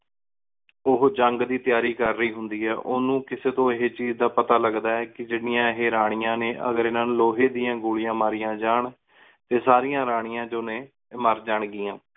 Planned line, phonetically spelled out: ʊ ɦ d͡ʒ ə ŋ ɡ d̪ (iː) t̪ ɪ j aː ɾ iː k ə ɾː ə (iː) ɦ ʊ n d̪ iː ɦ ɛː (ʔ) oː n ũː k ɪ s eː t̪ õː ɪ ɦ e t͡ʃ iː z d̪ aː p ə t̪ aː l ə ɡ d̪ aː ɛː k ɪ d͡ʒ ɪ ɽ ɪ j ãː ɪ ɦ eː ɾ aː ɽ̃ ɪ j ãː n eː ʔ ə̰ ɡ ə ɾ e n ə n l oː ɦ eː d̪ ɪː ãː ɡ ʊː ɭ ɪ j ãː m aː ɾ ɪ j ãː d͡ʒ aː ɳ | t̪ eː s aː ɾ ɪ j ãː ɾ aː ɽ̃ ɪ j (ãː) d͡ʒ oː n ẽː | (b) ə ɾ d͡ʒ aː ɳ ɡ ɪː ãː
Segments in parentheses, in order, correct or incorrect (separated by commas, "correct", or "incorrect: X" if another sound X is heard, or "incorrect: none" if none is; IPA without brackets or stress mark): correct, correct, correct, correct, incorrect: m